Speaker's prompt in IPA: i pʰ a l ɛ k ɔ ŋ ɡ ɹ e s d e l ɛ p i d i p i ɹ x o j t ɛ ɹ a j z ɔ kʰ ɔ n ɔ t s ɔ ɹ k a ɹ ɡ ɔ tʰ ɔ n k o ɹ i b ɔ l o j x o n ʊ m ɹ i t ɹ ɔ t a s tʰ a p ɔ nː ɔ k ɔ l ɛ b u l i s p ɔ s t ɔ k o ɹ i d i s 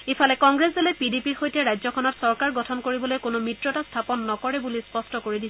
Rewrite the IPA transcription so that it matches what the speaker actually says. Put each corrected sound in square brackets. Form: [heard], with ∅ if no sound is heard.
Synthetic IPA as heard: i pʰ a l ɛ k ɔ ŋ ɡ ɹ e s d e l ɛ p i d i p i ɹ x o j t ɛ ɹ a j z ɔ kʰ ɔ n ɔ t s ɔ ɹ k a ɹ ɡ ɔ tʰ ɔ n k o ɹ i b ɔ l o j [k] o n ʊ m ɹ i t ɹ ɔ t a s tʰ a p ɔ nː ɔ k ɔ [ɹ] ɛ b u l i s p ɔ s t ɔ k o ɹ i d i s